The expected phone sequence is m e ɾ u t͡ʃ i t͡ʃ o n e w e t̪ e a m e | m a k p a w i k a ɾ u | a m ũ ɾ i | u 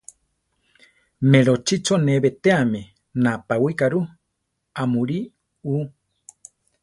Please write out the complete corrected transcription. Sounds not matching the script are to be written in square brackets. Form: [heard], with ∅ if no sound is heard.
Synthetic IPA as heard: m e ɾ [o] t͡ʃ i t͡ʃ o n e [β] e t̪ e a m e | [n] a [∅] p a w i k a ɾ u | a m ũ ɾ i | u